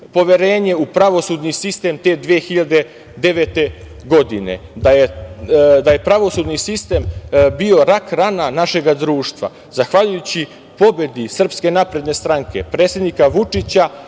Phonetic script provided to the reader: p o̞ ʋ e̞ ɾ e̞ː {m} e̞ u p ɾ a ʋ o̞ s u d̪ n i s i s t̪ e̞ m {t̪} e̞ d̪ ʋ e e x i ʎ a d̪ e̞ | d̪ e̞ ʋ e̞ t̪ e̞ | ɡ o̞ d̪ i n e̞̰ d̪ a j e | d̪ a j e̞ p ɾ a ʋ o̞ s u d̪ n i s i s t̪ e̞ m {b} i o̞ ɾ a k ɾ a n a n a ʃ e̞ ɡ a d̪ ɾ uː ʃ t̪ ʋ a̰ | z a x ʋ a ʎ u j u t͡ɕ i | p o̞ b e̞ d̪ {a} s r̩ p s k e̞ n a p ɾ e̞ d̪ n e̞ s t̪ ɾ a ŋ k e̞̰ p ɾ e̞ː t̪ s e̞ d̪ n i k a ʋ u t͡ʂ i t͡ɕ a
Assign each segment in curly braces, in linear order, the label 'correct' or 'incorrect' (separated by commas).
incorrect, correct, correct, incorrect